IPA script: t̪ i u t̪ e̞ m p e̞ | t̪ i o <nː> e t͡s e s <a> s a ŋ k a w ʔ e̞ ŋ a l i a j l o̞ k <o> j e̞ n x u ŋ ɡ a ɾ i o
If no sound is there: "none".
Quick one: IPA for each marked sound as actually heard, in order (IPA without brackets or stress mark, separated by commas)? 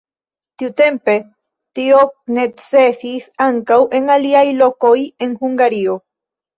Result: n, i, o